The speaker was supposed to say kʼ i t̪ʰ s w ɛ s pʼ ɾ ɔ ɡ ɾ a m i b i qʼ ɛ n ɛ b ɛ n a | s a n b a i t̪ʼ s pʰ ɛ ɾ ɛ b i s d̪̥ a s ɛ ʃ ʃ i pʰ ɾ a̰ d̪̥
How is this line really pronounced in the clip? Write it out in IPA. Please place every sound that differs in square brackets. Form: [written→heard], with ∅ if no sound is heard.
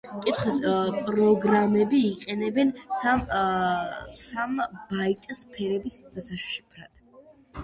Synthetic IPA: kʼ i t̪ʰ [s→χ] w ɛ s pʼ ɾ ɔ ɡ ɾ a m [i→ɛ] b [i→iː] qʼ ɛ n ɛ b ɛ n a | s a [n→m] b a i t̪ʼ s pʰ ɛ ɾ ɛ b i s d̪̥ a s [ɛ→a] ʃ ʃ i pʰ ɾ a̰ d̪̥